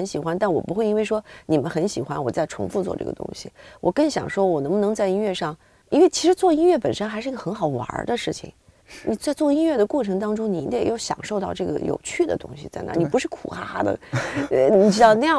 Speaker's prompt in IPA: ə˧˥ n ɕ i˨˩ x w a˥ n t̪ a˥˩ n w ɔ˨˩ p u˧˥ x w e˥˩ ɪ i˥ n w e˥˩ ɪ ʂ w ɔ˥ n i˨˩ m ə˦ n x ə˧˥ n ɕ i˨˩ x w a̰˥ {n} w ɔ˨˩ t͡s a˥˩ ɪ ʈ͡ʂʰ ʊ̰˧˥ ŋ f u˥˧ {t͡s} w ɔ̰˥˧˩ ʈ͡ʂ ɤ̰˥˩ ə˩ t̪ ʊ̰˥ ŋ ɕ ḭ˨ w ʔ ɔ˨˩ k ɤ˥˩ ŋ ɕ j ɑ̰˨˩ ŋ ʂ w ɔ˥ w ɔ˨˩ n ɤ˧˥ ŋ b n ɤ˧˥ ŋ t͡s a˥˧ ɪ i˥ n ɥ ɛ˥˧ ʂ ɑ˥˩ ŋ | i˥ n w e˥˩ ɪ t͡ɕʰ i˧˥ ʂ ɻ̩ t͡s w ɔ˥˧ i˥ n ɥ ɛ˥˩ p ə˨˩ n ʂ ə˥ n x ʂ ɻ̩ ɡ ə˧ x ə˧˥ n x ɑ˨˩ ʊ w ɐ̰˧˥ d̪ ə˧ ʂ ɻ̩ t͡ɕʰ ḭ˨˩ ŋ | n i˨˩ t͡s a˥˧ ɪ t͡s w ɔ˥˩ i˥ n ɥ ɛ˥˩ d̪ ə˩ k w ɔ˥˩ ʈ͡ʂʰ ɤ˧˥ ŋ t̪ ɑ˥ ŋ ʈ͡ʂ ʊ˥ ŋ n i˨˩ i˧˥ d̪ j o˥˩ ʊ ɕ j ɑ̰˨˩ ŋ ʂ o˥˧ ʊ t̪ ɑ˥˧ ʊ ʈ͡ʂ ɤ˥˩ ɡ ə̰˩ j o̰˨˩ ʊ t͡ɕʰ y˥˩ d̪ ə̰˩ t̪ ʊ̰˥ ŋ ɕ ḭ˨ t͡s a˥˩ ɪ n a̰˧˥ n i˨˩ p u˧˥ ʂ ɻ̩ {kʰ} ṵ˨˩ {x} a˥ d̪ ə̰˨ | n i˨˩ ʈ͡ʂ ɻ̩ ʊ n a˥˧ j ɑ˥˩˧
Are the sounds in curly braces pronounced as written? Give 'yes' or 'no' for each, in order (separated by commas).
yes, yes, yes, yes